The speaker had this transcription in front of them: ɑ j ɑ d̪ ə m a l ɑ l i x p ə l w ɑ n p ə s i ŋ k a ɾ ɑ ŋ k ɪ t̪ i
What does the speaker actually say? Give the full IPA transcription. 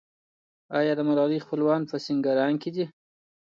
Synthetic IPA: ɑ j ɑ d̪ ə m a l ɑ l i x p ə l w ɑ n p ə s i ŋ ɡ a ɾ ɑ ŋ k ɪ d̪ i